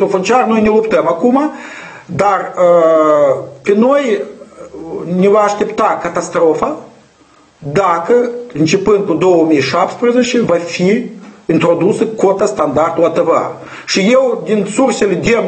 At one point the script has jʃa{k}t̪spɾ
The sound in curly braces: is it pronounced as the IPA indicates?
no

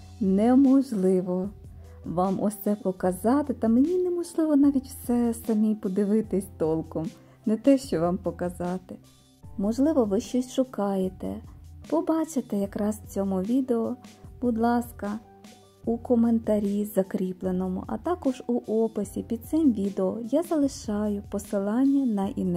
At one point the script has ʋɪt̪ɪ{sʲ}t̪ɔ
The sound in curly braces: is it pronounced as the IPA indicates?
yes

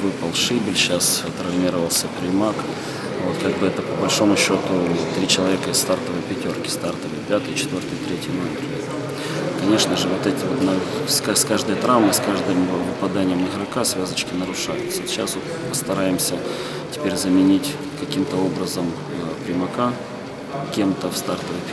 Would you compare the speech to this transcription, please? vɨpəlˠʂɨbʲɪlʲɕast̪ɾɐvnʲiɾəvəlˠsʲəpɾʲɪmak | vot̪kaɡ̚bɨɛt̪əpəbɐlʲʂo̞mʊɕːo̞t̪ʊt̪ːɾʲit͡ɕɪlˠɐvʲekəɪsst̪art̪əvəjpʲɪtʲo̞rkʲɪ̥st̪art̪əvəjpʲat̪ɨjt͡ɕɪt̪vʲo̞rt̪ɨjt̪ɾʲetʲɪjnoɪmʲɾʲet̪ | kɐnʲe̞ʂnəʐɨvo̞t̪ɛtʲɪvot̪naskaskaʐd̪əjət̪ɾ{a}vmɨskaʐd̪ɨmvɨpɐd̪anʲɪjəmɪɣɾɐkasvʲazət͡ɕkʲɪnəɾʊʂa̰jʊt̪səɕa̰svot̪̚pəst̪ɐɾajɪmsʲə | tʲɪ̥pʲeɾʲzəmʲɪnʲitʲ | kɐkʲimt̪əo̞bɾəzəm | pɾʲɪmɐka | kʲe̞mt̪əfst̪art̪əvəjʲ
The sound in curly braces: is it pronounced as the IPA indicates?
yes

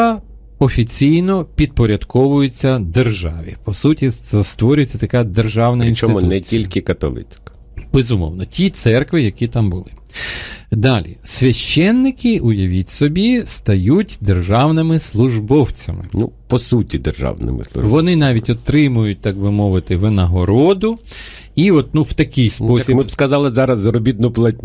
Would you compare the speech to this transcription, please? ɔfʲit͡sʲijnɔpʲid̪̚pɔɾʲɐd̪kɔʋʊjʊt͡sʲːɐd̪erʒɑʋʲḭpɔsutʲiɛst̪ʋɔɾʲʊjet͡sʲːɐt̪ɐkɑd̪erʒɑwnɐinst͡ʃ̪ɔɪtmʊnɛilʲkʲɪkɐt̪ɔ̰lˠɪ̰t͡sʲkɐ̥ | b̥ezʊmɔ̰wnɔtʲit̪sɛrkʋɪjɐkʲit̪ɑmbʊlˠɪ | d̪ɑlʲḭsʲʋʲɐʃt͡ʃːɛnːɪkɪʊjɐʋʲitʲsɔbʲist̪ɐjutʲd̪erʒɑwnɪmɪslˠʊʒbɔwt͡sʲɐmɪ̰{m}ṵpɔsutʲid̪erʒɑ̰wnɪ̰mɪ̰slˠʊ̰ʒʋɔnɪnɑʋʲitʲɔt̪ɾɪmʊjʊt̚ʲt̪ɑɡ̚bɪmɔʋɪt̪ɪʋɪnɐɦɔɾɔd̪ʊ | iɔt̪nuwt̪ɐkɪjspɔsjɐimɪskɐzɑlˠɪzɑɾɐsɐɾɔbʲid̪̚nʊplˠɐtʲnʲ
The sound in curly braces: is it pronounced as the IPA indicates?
no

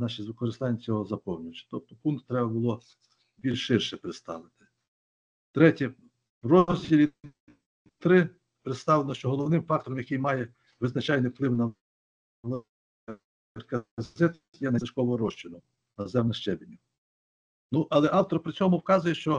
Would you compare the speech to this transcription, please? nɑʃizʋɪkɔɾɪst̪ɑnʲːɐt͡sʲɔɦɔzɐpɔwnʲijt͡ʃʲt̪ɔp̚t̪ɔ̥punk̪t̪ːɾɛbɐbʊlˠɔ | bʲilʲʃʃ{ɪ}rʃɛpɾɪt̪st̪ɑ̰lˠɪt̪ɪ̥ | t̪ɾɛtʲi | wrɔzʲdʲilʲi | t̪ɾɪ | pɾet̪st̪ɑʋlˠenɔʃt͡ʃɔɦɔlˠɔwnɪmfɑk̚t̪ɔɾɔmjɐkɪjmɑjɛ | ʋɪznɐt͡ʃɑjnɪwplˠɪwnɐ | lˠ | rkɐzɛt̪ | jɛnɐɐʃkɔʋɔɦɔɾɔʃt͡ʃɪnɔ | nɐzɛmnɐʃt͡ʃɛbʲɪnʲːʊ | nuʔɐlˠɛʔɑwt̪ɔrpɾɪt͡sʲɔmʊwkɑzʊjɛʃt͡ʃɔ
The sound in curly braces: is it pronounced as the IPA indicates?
yes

